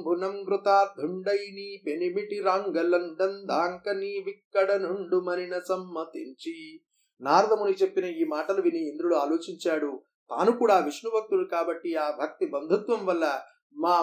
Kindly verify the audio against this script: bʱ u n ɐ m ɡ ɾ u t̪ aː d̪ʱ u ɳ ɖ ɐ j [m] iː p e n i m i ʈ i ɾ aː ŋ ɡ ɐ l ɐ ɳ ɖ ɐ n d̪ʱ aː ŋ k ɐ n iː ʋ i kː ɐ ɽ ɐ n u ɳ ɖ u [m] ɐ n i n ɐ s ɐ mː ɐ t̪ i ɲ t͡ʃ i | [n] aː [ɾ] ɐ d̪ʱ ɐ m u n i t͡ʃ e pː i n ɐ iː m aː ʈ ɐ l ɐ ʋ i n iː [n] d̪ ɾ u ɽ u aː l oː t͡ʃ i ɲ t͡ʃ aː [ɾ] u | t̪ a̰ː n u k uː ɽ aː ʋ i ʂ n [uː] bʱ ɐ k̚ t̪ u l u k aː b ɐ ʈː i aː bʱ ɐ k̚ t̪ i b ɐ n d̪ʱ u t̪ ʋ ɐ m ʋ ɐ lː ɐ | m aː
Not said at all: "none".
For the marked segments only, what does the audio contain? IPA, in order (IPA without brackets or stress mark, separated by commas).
n, m, n, ɾ, n, ɽ, u